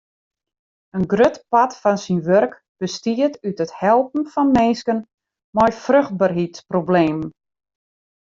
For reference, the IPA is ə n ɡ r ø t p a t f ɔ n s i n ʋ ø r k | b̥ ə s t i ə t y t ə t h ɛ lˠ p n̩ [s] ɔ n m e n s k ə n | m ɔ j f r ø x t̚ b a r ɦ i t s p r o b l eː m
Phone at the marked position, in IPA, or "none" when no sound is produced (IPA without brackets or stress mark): f